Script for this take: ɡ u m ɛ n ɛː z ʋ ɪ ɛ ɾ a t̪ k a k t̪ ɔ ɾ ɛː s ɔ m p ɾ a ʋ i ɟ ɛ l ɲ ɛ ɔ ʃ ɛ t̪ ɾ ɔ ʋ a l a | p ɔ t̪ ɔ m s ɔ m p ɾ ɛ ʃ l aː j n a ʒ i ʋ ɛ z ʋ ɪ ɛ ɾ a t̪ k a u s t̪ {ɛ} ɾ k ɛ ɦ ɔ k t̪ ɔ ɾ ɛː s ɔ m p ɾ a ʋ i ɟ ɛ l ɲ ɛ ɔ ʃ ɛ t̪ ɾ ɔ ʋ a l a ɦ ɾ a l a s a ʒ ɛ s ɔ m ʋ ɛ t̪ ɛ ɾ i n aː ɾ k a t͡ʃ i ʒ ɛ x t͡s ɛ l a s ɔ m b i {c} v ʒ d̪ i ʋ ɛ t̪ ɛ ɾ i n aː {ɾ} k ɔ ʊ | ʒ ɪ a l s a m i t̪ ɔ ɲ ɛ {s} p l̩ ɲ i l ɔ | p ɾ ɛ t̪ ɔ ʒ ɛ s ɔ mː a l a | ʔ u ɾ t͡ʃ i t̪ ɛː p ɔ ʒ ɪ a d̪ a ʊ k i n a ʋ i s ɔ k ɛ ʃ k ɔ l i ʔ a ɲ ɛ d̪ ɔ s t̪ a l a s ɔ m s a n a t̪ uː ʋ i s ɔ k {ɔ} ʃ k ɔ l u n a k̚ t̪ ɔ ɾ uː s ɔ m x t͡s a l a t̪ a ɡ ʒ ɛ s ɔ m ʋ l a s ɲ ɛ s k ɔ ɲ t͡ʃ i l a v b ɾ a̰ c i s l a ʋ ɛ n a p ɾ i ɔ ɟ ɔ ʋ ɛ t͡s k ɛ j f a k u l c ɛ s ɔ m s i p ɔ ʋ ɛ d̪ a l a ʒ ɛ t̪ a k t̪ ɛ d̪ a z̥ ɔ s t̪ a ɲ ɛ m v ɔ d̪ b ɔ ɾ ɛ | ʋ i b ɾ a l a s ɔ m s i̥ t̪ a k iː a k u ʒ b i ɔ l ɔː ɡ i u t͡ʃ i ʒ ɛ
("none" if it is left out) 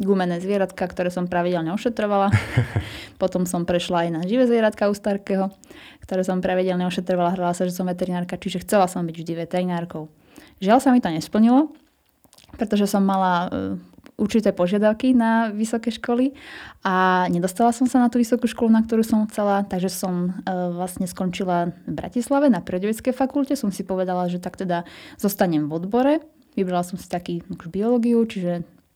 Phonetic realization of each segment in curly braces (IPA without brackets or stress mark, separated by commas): a, ɟ, ɾ, s, u